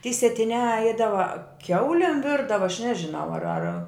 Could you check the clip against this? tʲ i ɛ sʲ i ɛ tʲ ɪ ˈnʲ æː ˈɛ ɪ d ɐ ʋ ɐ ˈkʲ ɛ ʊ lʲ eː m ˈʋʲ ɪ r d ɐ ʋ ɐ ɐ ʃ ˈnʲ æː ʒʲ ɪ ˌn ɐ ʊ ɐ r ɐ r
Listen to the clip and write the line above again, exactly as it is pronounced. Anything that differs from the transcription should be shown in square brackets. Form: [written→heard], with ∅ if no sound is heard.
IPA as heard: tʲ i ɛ sʲ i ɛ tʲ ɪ ˈnʲ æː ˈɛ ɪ d ɐ ʋ ɐ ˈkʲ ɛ ʊ lʲ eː m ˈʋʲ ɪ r d ɐ ʋ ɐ ɐ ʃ ˈnʲ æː ʒʲ ɪ ˌn ɐ ʊ ɐ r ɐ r